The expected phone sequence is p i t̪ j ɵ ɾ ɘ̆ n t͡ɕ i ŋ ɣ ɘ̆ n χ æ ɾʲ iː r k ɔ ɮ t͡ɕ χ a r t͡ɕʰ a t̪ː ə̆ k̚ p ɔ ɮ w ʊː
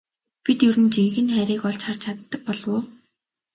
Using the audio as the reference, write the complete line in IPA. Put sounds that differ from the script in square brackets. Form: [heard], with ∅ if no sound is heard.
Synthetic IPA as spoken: p i t̪ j ɵ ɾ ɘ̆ n t͡ɕ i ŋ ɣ ɘ̆ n χ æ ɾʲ iː [∅] k ɔ ɮ t͡ɕ χ a r t͡ɕʰ a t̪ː ə̆ k̚ p ɔ ɮ w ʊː